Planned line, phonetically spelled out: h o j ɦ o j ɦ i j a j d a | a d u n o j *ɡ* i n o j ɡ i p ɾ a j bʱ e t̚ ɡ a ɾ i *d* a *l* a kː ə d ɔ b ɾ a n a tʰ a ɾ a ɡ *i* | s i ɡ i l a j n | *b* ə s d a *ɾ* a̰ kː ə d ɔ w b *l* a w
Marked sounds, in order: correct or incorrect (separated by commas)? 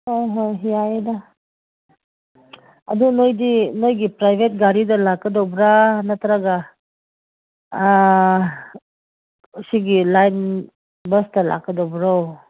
incorrect, correct, correct, incorrect, correct, incorrect, incorrect